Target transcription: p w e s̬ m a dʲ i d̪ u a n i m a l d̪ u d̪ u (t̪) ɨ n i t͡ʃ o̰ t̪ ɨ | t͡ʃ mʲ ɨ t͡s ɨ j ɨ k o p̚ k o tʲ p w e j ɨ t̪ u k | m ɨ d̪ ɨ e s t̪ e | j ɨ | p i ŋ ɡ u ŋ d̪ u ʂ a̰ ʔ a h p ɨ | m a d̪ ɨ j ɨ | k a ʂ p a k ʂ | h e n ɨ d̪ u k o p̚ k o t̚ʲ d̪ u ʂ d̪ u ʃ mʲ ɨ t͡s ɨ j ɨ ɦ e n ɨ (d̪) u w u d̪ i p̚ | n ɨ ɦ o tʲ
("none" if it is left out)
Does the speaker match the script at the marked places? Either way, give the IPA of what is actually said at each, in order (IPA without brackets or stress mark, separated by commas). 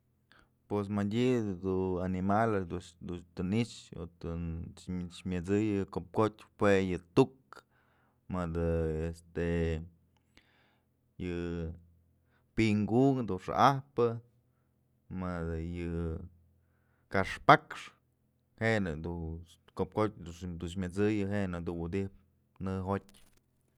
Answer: t̪, d̪